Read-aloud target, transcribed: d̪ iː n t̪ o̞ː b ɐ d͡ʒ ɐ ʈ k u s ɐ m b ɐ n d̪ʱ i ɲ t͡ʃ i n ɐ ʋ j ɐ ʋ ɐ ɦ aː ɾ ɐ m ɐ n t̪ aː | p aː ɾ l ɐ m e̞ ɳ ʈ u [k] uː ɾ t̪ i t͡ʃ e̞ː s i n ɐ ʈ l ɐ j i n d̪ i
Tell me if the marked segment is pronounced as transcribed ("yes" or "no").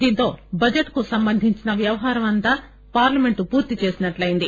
no